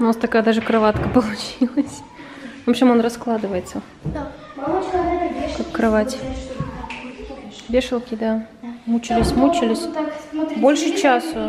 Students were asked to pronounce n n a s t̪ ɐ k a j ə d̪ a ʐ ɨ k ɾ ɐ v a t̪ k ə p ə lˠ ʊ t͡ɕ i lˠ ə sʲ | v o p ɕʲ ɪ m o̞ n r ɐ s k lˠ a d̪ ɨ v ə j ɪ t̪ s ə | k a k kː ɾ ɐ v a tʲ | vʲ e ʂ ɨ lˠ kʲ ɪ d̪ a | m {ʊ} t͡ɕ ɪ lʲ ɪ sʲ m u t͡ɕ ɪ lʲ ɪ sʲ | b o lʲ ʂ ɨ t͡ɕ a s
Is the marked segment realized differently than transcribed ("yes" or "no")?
yes